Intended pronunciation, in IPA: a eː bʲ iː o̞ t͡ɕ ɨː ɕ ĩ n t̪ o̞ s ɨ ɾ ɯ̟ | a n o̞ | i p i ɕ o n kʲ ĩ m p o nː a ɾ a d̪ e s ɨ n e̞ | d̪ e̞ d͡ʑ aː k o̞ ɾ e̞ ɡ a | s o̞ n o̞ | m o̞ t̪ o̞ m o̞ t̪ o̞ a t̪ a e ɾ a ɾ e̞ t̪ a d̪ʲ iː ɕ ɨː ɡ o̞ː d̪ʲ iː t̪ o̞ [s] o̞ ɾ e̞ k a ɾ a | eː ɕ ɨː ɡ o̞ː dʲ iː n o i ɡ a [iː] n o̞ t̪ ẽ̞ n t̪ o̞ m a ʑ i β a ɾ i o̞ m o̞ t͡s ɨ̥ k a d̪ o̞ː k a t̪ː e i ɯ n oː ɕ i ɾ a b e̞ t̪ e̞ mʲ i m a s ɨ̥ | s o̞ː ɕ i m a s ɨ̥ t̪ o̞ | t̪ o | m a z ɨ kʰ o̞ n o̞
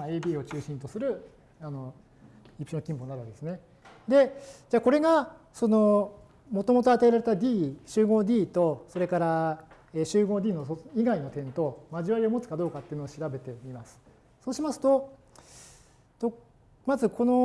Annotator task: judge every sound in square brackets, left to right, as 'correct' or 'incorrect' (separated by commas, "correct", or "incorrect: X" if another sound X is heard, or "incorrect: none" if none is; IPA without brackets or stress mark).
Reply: correct, incorrect: i